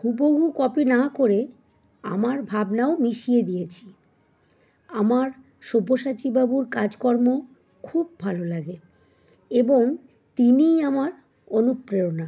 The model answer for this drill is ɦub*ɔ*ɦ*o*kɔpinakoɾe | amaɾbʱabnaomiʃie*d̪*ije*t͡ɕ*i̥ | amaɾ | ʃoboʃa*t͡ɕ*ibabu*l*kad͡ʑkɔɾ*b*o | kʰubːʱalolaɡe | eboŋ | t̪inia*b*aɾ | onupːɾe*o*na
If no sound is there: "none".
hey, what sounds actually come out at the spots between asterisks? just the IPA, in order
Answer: o, u, d̪, t͡ɕʰ, t͡ɕ, ɾ, m, m, o

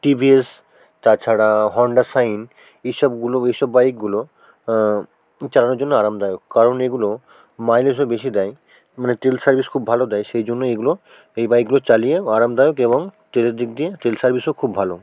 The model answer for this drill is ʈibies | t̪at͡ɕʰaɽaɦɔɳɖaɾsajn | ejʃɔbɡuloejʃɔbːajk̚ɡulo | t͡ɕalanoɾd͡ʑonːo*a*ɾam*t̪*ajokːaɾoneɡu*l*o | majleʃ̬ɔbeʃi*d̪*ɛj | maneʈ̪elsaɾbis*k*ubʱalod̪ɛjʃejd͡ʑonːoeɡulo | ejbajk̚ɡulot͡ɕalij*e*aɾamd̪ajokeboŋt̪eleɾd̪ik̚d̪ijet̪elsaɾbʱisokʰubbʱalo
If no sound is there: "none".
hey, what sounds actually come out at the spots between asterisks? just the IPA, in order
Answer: a, d̪, l, d̪, kʰ, e

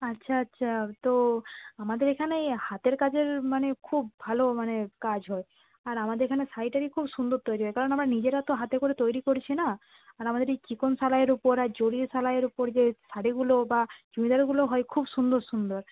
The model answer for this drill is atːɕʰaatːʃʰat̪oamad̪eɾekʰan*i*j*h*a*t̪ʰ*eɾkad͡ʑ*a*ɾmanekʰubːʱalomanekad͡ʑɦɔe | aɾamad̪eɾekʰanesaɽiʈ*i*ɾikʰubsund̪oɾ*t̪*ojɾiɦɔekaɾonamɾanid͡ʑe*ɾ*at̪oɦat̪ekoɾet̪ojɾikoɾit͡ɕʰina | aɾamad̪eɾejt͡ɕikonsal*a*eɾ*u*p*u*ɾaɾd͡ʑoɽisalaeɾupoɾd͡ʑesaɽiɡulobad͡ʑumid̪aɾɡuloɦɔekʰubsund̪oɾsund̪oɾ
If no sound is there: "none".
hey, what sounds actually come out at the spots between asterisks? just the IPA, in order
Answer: e, h, t̪, e, a, t̪, ɾ, a, u, o

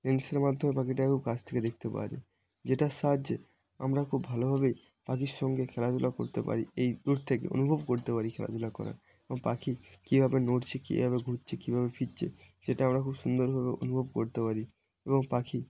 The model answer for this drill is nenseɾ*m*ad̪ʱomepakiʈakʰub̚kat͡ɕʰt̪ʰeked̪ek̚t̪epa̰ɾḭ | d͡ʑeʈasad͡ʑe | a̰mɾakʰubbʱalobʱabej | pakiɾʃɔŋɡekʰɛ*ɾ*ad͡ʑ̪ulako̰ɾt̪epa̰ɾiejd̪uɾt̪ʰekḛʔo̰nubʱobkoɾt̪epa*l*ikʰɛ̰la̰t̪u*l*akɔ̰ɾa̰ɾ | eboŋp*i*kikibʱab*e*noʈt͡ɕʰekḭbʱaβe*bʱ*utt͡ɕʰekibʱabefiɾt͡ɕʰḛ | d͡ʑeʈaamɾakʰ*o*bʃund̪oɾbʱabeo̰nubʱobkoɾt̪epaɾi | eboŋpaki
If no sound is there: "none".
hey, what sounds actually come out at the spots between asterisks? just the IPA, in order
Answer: m, l, ɾ, l, a, e, ɡʱ, u

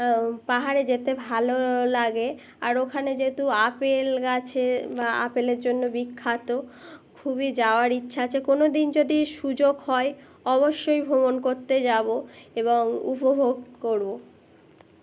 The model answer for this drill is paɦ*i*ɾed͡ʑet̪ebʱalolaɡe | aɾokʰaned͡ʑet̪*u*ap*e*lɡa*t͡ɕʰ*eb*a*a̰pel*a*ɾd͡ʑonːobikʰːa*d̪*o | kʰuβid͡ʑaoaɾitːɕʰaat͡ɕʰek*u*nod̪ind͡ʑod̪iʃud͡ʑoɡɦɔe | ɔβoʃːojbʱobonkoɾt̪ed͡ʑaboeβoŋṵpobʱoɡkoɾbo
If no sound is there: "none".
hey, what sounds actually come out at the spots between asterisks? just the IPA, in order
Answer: a, u, e, t͡ɕʰ, a, e, t̪, o

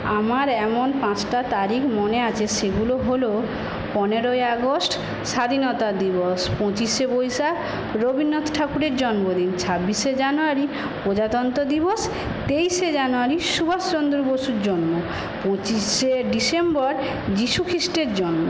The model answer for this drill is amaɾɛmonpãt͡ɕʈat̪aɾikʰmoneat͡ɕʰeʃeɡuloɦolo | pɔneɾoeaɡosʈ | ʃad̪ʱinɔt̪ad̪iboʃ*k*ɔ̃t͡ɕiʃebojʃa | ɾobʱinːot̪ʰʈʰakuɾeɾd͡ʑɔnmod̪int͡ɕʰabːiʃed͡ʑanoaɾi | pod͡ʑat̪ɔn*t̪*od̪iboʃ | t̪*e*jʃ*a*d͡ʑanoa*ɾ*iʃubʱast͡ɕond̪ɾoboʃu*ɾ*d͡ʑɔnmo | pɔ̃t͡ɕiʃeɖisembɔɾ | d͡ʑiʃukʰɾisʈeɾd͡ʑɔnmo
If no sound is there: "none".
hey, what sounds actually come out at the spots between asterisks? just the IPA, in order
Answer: p, t̪, e, e, ɾ, ɾ

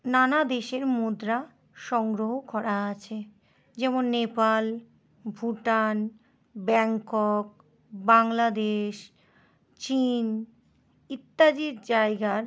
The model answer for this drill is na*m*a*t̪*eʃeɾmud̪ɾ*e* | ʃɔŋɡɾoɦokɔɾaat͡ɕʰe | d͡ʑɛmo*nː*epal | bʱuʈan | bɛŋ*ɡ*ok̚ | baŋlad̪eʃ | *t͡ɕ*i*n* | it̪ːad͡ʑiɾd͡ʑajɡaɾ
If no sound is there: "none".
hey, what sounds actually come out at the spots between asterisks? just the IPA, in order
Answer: n, d̪, a, nː, k, t͡ɕ, n

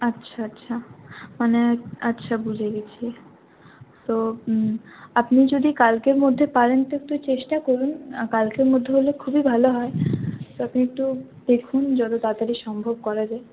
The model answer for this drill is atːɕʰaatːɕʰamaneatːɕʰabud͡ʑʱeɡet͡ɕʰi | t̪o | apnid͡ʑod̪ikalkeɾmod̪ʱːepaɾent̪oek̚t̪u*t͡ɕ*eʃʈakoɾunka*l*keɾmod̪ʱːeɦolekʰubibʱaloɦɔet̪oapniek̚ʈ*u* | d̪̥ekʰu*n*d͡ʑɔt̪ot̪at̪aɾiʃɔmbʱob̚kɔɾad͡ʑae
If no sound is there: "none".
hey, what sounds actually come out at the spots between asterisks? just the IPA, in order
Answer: t͡ɕ, l, u, n

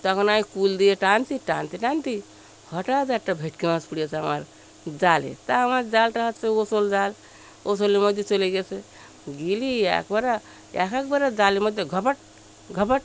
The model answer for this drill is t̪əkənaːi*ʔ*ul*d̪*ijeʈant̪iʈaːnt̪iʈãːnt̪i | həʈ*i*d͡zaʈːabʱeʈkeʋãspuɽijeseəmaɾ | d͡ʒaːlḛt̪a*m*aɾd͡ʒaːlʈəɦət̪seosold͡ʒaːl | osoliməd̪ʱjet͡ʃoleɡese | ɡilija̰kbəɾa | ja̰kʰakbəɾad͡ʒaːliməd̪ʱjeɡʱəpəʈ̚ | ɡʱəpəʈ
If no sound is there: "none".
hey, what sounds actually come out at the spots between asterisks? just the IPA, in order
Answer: k, d̪, a, m

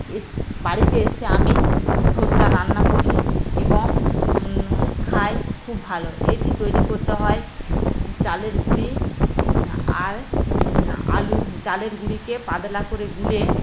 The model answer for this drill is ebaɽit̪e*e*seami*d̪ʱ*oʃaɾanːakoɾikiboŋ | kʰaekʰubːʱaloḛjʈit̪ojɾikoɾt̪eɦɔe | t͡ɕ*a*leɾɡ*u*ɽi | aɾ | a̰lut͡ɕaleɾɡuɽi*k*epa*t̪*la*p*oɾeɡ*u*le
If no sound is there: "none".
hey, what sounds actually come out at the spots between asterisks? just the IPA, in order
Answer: e, d̪ʱ, a, u, k, d̪, k, u

